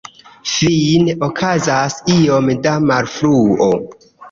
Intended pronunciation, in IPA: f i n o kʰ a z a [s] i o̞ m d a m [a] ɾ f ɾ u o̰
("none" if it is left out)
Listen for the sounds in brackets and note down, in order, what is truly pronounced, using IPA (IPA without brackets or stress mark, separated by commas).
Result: s, a